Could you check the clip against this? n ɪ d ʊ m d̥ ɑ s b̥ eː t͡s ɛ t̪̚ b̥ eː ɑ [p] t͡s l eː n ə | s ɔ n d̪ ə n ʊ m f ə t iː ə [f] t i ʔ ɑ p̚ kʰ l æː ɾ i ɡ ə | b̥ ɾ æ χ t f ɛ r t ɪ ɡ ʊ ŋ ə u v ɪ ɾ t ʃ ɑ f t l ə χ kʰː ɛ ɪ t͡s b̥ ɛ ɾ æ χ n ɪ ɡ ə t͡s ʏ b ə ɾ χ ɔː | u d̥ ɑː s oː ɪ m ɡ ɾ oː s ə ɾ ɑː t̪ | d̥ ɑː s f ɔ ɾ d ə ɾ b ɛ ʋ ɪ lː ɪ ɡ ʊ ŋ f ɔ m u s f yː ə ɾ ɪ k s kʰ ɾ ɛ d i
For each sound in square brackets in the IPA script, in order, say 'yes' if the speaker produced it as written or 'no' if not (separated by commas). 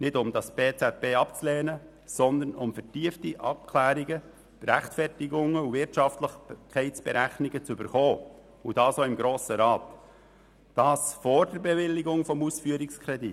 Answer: yes, yes